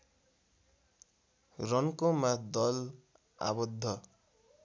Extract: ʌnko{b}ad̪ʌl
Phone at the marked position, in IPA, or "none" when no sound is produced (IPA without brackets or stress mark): m